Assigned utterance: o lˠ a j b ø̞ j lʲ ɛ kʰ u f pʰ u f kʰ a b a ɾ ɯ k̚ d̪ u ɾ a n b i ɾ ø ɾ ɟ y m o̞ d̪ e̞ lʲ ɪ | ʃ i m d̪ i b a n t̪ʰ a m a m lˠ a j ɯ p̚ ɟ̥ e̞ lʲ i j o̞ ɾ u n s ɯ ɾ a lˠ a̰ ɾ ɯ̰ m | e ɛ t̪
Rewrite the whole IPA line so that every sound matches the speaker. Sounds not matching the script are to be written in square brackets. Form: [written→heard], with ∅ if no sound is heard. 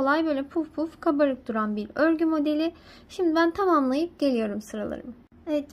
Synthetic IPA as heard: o lˠ a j b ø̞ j lʲ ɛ [kʰ→pʰ] u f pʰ u f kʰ a b a ɾ ɯ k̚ d̪ u ɾ a n b i ɾ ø ɾ ɟ y m o̞ d̪ e̞ lʲ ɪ | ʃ i m d̪ i b [a→æ] n t̪ʰ a m a m lˠ a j ɯ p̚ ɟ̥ e̞ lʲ i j o̞ ɾ u [n→m] s ɯ ɾ a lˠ a̰ ɾ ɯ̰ m | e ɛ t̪

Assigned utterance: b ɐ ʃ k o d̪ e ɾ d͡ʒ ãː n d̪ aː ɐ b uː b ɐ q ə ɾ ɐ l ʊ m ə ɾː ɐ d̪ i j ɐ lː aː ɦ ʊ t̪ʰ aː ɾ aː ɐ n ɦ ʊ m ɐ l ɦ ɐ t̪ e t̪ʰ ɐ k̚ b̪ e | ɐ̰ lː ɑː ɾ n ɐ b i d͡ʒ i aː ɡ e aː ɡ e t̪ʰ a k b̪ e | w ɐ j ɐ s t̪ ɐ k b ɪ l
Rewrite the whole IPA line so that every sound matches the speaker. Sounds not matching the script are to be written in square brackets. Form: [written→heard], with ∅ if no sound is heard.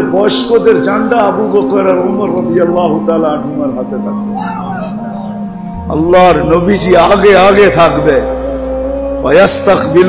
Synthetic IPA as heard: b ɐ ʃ k o d̪ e ɾ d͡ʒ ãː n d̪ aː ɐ b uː b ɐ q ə ɾ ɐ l ʊ m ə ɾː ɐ d̪ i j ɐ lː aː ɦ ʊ [t̪ʰ→t̪] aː [ɾ→l] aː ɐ n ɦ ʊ m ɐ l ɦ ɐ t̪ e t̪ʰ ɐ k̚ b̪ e | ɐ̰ lː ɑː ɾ n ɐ b i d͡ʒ i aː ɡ e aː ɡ e t̪ʰ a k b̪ e | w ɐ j ɐ s t̪ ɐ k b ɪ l

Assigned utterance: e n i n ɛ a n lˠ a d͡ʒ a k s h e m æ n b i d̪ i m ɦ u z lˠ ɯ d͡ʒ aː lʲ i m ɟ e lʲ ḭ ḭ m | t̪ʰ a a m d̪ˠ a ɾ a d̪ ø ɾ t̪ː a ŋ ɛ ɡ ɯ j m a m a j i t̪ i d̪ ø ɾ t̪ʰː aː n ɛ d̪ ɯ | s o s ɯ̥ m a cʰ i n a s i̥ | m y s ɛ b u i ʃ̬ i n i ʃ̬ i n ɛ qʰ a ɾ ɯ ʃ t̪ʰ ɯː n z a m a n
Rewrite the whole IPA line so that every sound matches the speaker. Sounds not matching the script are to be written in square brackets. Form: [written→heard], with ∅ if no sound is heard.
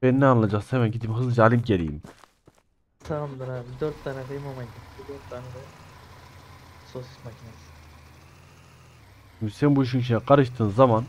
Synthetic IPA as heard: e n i n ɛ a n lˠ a d͡ʒ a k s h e m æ n [b→ɟ] i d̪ i m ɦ [u→ɯ] z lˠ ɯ d͡ʒ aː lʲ i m ɟ e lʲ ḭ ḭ m | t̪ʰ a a m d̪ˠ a ɾ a d̪ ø ɾ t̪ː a [ŋ→n] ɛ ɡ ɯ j m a m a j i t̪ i d̪ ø ɾ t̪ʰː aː n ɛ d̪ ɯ | s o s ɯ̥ m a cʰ i n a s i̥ | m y s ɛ b u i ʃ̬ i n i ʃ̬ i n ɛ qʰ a ɾ ɯ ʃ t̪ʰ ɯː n z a m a n

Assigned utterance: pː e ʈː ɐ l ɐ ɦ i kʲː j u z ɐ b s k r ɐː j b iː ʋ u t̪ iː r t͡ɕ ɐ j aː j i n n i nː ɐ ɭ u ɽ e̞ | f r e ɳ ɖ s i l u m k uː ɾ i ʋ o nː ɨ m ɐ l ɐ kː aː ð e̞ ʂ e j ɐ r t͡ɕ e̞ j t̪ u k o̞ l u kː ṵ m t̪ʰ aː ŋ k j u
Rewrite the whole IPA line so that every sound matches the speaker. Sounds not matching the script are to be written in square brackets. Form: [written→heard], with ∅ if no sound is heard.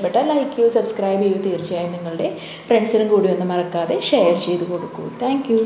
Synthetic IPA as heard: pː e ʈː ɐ l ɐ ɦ i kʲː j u [z→s] ɐ b s k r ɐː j b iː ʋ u t̪ iː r t͡ɕ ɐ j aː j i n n i [nː→ŋː] ɐ ɭ u ɽ e̞ | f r e ɳ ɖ s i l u m k uː [ɾ→ɽ] i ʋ o nː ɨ m ɐ [l→r] ɐ kː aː ð e̞ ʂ e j ɐ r t͡ɕ e̞ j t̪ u k o̞ [l→ɽ] u kː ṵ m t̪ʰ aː ŋ k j u

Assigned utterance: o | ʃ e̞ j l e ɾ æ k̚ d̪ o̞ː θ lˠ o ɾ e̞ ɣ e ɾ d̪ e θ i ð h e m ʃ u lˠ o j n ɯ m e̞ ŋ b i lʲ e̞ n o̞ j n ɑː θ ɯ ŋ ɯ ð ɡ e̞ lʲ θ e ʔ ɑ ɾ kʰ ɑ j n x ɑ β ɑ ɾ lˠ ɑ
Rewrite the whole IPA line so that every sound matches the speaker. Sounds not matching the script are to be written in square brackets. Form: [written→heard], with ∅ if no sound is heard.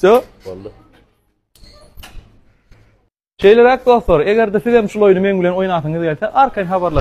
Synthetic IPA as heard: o | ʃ e̞ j l e ɾ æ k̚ d̪ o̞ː θ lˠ o ɾ e̞ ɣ e ɾ d̪ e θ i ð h e m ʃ u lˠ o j n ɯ m e̞ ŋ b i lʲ e̞ n o̞ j n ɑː θ ɯ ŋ ɯ ð ɡ e̞ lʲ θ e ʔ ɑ ɾ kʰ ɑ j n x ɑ β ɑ ɾ lˠ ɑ

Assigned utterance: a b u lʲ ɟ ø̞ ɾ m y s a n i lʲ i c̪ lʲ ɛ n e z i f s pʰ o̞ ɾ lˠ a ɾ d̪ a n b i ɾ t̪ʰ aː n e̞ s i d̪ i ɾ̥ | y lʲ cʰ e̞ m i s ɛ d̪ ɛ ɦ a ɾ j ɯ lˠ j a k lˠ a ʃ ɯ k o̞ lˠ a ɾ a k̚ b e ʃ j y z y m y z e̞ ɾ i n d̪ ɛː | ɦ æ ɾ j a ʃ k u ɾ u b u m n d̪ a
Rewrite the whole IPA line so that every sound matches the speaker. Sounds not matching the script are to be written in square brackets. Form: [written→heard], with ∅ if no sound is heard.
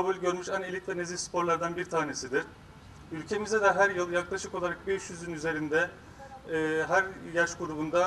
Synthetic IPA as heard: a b u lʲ ɟ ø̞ ɾ m y [s→ʃ] a n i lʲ i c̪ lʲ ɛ n e z i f s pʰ o̞ ɾ lˠ a ɾ d̪ a n b i ɾ t̪ʰ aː n e̞ s i d̪ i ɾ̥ | y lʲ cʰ e̞ m i [s→z] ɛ d̪ ɛ ɦ [a→æ] ɾ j ɯ lˠ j a k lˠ a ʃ ɯ k o̞ lˠ a ɾ a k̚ b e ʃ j y z y [m→n] y z e̞ ɾ i n d̪ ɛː | ɦ æ ɾ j a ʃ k u ɾ u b u [m→∅] n d̪ a

